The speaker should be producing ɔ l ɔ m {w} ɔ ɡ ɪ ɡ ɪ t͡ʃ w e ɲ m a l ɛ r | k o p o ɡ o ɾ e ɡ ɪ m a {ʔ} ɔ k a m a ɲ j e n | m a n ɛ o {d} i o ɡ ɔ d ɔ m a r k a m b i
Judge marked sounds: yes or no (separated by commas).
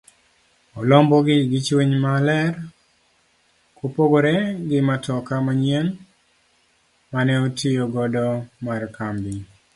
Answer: no, no, no